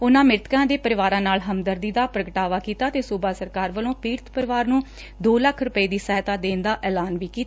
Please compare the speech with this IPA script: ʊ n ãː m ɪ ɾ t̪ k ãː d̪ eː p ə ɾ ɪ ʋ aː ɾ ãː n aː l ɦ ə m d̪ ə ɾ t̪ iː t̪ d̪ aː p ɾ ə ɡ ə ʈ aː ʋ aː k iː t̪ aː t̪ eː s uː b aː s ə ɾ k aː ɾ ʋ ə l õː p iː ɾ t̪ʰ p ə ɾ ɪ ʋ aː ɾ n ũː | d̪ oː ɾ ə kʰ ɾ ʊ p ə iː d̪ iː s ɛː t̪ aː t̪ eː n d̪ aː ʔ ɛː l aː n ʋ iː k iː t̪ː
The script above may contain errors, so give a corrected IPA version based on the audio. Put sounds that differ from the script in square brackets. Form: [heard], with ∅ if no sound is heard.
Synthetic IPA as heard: ʊ n ãː m ɪ ɾ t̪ k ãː d̪ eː p ə ɾ ɪ ʋ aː ɾ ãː n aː l ɦ ə m d̪ ə ɾ [d̪] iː [∅] d̪ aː p ɾ ə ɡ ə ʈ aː ʋ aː k iː t̪ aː t̪ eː s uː b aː s ə ɾ k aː ɾ ʋ ə l õː p iː ɾ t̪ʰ p ə ɾ ɪ ʋ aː ɾ n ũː | d̪ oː [l] ə kʰ ɾ ʊ p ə iː d̪ iː s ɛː t̪ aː [d̪] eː n d̪ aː ʔ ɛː l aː n ʋ iː k iː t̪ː